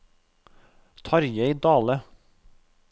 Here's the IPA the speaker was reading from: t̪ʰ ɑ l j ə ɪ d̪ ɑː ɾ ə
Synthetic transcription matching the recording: t̪ʰ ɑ ɾ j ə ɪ d̪ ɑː l ə